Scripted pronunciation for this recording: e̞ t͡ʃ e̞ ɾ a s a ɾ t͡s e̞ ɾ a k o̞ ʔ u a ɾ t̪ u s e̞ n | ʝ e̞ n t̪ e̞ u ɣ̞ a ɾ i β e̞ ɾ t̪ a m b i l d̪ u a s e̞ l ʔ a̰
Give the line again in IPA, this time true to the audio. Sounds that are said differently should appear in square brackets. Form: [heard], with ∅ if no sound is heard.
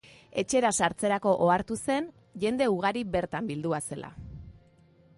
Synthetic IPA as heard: e̞ t͡ʃ e̞ ɾ a s a ɾ t͡s e̞ ɾ a k o̞ ʔ [o] a ɾ t̪ u s e̞ n | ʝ e̞ n [d̪] e̞ u ɣ̞ a ɾ i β e̞ ɾ t̪ a m b i l d̪ u a s e̞ l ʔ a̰